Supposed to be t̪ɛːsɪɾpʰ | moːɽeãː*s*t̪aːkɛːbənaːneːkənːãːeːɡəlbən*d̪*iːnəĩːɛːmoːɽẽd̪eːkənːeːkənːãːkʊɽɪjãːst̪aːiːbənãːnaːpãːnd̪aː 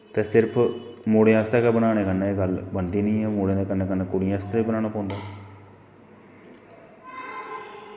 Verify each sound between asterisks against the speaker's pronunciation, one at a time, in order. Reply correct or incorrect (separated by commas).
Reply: correct, correct